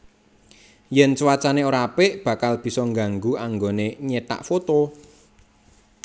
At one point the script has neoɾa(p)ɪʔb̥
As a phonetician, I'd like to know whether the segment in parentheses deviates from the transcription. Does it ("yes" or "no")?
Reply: no